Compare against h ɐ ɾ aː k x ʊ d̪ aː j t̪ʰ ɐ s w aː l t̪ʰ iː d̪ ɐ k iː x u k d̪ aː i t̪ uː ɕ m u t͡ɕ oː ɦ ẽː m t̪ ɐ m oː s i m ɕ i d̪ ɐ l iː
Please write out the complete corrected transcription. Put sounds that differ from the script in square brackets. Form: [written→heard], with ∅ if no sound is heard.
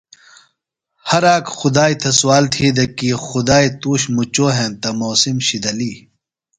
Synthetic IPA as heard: h ɐ ɾ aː k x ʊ d̪ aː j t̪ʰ ɐ s w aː l t̪ʰ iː d̪ ɐ k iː x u [k→∅] d̪ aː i t̪ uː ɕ m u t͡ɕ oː ɦ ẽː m t̪ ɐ m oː s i m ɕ i d̪ ɐ l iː